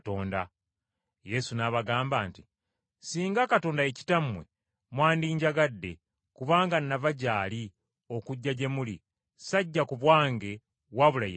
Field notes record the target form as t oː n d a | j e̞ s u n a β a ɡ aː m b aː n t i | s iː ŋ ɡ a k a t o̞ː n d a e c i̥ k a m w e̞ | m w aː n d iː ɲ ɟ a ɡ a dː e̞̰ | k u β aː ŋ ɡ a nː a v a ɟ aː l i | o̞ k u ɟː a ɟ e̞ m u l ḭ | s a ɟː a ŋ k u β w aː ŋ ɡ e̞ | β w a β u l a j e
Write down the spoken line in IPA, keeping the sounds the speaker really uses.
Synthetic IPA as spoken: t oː n d a | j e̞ s u n a β a ɡ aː m b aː n t i | s iː ŋ ɡ a k a t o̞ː n d a e c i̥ t a m w e̞ | m w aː n d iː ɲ ɟ a ɡ a dː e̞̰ | k u β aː ŋ ɡ a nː a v a ɟ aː l i | o̞ k u ɟː a ɟ e̞ m u l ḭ | s a ɟː a k u β w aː ŋ ɡ e̞ | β w a β u l a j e

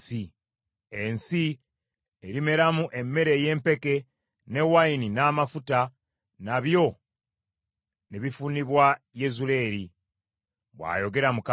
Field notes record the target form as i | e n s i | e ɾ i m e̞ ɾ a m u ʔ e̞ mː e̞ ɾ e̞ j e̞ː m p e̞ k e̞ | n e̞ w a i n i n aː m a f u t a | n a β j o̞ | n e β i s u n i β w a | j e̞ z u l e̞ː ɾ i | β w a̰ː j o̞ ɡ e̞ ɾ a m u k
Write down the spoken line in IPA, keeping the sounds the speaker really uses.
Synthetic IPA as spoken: i | e n s i | e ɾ i m e̞ ɾ a m u ʔ e̞ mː e̞ ɾ e̞ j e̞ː m p e̞ k e̞ | n e̞ w a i n i n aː m a f u t a | n a β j o̞ | n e β i f u n i β w a | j e̞ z u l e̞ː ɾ i | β w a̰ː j o̞ ɡ e̞ ɾ a m u k

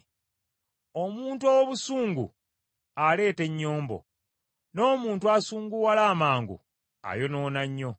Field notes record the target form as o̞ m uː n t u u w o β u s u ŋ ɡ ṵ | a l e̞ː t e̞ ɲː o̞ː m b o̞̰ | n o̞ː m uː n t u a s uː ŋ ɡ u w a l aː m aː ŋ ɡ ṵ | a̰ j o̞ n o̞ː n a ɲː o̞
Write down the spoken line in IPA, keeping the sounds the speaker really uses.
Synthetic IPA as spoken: o̞ m uː n t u o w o β u s uː ŋ ɡ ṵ | a l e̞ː t e̞ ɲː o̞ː m b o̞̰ | n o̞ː m uː n t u a s uː ŋ ɡ u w a l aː m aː ŋ ɡ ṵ | a̰ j o̞ n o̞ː n a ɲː o̞

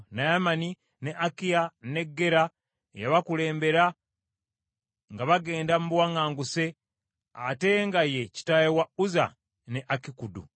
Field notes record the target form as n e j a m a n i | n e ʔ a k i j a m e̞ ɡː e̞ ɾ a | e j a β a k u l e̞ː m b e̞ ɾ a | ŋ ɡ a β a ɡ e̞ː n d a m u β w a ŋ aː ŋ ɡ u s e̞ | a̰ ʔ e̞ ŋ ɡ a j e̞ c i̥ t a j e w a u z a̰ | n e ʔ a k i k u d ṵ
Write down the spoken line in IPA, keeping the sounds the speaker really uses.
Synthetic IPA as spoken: n a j a m a n i | n e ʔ a k i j a n e̞ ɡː e̞ ɾ a | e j a β a k u l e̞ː m b e̞ ɾ a | ŋ ɡ a β a ɡ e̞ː n d a m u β w a ŋ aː ŋ ɡ u s e̞ | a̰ t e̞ ŋ ɡ a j e̞ c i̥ t a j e w a u z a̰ | n e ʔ a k i k u d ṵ

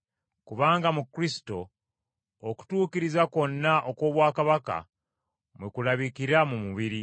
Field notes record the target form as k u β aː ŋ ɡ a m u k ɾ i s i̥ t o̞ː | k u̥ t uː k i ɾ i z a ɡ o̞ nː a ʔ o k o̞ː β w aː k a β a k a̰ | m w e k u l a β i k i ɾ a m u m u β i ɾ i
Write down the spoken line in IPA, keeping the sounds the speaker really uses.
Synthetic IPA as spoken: k u β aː ŋ ɡ a m u k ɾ i s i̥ t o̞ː | k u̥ t uː k i ɾ i z a k o̞ nː a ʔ o k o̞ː β w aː k a β a k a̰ | m w e k u l a β i k i ɾ a m u m u β i ɾ i

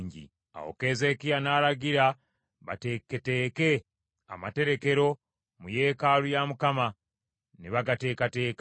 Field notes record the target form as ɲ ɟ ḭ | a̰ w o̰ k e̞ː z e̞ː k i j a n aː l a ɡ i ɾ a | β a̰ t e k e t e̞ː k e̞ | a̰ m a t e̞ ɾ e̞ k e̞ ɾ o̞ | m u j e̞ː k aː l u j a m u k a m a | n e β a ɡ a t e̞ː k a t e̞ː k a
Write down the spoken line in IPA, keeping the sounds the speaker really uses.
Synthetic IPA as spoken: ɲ ɟ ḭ | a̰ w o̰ k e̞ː z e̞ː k i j a n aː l a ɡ i ɾ a | β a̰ t e k e t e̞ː k e̞ | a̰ m a t e̞ ɾ e̞ k e̞ ɾ o̞ | m u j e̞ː k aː l u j a m u k a m a | n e β a ɡ a t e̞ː k a t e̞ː k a

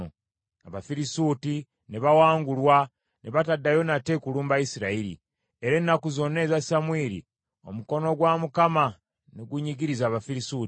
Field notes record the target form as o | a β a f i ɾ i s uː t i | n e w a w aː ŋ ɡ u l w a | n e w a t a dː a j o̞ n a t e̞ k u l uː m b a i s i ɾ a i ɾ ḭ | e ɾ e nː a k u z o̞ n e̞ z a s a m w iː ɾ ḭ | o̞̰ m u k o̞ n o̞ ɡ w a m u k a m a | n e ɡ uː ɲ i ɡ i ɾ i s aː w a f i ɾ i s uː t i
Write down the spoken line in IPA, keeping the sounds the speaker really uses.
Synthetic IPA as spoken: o | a β a f i ɾ i s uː t i | n e β a w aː ŋ ɡ u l w a | n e β a t a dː a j o̞ n a t e̞ k u l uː m b a i s i ɾ a i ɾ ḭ | e ɾ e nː a k u z o̞ n e̞ z a s a m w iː ɾ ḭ | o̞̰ m u k o̞ n o̞ ɡ w a m u k a m a | n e ɡ u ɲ i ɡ i ɾ i z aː β a f i ɾ i s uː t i

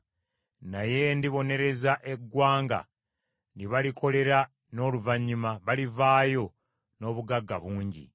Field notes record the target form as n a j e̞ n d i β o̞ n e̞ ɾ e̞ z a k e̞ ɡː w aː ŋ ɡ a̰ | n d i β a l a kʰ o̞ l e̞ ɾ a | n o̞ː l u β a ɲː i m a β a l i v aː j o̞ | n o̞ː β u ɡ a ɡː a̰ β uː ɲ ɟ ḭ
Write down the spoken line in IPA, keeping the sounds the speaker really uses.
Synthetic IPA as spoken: n a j e̞ n d i β o̞ n e̞ ɾ e̞ z a ʔ e̞ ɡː w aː ŋ ɡ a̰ | n d i β a l i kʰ o̞ l e̞ ɾ a | n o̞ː l u v a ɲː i m a β a l i v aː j o̞ | n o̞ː β u ɡ a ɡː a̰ β uː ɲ ɟ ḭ

